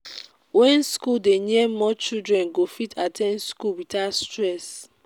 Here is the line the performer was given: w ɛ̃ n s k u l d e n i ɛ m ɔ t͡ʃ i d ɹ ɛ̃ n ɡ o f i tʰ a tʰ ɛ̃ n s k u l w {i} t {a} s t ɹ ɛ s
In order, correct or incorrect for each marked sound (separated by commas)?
correct, correct